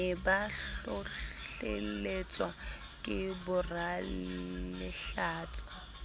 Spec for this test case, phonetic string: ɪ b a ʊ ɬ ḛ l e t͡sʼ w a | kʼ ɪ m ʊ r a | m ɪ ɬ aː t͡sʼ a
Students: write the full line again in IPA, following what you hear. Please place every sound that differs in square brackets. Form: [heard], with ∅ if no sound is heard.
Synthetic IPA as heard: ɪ b a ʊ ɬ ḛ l e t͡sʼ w a | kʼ ɪ [b] ʊ r a | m ɪ ɬ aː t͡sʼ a